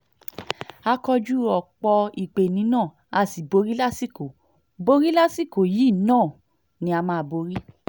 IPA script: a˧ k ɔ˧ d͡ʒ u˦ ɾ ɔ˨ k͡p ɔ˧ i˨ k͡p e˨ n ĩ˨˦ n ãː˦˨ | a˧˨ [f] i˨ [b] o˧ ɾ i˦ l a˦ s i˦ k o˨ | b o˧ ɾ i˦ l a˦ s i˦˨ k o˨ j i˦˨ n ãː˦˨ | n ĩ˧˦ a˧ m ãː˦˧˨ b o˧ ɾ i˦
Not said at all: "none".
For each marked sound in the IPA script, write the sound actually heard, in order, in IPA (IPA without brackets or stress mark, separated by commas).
s, b